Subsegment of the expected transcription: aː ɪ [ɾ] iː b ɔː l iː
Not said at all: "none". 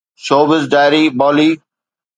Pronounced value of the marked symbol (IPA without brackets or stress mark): ɾ